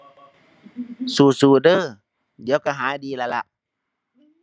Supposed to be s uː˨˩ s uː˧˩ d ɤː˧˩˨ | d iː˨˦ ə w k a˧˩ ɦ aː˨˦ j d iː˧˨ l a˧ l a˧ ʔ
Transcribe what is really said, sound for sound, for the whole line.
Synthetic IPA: s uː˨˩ s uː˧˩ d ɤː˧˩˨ | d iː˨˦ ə w k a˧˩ ɦ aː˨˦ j d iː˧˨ l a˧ l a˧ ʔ

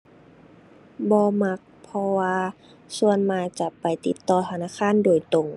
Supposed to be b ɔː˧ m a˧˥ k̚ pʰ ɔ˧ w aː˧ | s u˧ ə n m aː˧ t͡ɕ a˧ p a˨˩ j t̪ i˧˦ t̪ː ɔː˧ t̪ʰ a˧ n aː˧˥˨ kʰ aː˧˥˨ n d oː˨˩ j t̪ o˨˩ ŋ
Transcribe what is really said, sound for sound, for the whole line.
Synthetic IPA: b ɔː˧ m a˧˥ k̚ pʰ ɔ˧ w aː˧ | s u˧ ə n m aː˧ t͡ɕ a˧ p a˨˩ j t̪ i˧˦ t̪ː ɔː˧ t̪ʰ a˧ n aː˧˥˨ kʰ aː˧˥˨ n d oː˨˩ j t̪ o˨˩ ŋ

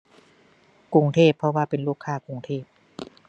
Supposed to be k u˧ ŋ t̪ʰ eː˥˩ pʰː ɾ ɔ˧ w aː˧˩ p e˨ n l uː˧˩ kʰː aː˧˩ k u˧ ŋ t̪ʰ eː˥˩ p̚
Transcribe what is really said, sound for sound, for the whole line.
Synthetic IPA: k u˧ ŋ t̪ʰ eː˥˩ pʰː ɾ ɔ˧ w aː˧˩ p e˨ n l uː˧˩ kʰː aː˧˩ k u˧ ŋ t̪ʰ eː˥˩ p̚

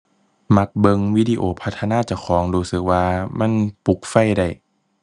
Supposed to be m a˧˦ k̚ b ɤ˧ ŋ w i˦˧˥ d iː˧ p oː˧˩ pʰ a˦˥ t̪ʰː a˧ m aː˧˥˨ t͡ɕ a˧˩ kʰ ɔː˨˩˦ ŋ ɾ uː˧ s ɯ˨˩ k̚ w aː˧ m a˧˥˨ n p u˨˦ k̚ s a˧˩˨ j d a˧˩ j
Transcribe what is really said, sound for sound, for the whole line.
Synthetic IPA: m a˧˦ k̚ b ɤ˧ ŋ w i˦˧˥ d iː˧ ʔ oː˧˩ pʰ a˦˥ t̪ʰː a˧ n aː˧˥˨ t͡ɕ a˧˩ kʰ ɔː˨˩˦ ŋ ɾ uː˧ s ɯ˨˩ k̚ w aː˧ m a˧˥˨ n p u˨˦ k̚ f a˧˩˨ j d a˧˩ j

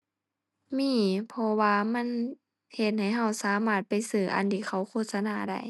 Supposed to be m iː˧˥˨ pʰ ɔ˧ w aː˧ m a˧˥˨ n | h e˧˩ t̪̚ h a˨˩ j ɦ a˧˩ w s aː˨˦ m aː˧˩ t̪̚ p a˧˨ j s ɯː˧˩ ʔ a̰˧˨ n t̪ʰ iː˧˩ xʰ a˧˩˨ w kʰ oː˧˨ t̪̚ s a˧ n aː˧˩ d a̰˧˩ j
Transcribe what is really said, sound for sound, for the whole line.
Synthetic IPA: m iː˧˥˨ pʰ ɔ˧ w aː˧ m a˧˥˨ n | h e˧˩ t̪̚ h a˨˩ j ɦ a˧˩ w s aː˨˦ m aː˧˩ t̪̚ p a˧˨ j s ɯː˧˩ ʔ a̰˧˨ n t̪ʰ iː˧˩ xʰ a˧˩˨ w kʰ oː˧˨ t̪̚ s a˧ n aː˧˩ d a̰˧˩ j

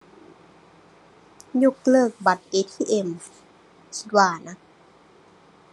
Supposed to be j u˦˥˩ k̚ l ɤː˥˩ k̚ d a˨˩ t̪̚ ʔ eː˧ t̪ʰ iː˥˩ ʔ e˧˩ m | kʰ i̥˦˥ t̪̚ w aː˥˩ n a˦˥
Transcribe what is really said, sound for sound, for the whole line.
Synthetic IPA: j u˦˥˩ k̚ l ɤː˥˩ k̚ b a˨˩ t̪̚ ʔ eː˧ t̪ʰ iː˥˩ ʔ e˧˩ m | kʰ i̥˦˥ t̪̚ w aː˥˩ n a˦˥

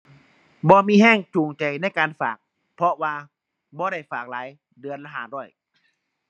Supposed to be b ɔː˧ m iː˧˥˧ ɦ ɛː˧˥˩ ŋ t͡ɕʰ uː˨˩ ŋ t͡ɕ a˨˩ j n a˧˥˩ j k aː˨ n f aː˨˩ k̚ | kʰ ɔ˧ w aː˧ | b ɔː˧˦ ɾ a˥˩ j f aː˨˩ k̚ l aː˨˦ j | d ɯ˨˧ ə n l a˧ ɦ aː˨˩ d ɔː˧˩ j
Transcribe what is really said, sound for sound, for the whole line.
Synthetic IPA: b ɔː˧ m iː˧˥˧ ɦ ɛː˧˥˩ ŋ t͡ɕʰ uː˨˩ ŋ t͡ɕ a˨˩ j n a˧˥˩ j k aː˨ n f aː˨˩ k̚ | pʰ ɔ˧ w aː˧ | b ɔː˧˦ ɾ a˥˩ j f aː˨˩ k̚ l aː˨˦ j | d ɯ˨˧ ə n l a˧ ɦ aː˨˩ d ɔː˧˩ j

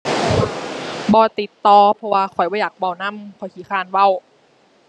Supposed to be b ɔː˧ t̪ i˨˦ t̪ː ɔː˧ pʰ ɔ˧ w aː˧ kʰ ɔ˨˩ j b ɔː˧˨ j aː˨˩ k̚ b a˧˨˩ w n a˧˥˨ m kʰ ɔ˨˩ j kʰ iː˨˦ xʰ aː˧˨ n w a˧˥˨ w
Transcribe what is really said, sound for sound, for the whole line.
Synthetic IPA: b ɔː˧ t̪ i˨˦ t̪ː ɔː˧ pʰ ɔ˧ w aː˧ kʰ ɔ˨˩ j b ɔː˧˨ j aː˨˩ k̚ b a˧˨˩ w n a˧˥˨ m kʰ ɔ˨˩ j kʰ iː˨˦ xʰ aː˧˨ n w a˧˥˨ w

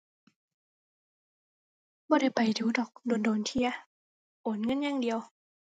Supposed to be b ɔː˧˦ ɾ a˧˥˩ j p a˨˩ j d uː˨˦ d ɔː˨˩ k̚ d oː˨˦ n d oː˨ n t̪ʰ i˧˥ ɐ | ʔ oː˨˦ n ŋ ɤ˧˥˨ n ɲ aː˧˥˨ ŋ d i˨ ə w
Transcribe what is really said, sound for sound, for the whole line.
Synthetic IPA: b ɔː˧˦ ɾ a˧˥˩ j p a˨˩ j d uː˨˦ d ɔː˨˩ k̚ d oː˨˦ n d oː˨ n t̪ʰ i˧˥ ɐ | ʔ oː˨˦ n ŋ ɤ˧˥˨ n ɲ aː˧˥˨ ŋ d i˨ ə w

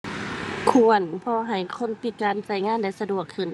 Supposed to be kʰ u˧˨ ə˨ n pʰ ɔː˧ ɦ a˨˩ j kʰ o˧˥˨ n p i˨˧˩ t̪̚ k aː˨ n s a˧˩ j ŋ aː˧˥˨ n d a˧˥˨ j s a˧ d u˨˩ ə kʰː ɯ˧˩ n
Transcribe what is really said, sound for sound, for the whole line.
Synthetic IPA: kʰ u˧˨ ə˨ n pʰ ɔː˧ ɦ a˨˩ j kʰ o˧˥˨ n p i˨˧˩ t̪̚ k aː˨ n s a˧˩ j ŋ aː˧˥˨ n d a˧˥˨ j s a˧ d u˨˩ ə kʰː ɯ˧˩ n

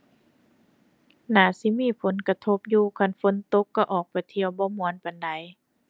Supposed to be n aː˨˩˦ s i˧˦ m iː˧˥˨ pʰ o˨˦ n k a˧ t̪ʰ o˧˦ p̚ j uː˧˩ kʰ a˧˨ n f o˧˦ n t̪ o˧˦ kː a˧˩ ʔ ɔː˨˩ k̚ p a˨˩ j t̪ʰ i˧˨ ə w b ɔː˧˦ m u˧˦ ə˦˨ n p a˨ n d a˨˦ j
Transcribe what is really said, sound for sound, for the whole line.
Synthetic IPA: n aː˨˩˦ s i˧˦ m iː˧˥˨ pʰ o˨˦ n k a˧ t̪ʰ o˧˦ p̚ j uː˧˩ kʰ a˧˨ n f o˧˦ n t̪ o˧˦ kː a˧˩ ʔ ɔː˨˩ k̚ p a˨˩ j t̪ʰ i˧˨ ə w b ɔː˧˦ m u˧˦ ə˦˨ n p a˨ n d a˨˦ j

